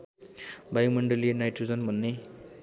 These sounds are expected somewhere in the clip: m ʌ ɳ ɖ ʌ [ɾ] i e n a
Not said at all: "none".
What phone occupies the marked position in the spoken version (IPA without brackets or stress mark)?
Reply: l